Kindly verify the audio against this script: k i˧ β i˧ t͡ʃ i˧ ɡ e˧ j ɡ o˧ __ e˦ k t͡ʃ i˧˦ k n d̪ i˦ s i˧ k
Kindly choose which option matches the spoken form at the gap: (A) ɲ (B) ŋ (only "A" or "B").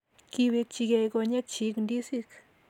A